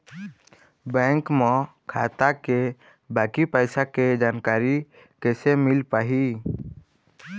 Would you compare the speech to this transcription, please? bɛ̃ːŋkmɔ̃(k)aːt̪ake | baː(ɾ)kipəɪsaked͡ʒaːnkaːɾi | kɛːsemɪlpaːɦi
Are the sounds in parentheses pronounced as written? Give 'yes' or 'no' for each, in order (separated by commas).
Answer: no, no